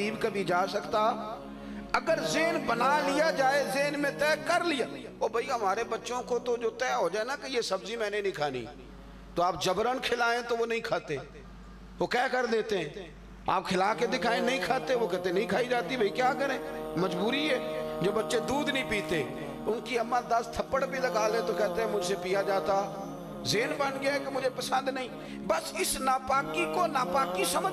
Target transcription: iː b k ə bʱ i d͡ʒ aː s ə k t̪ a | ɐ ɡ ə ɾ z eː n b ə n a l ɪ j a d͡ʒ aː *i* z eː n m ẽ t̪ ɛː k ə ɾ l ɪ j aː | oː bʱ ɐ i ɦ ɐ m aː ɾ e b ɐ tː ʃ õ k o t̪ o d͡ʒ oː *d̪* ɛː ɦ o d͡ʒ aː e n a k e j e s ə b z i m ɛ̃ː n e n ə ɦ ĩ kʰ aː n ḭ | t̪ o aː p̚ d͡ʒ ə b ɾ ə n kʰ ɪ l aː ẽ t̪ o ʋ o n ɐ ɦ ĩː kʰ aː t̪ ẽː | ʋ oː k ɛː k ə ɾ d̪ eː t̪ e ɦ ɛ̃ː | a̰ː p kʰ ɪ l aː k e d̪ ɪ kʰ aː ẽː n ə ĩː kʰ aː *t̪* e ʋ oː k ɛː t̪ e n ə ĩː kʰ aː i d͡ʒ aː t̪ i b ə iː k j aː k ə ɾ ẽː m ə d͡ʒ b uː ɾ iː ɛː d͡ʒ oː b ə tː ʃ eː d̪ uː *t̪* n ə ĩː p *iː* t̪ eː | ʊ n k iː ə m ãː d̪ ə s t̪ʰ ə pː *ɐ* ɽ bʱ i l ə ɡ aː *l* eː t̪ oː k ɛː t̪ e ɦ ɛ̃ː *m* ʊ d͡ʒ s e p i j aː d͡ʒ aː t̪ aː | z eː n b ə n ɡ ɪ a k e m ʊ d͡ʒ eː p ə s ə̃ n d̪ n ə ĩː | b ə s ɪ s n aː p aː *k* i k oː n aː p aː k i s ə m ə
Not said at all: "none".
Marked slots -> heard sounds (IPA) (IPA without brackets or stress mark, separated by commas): e, t̪, t̪, d̪, iː, ə, l, m, k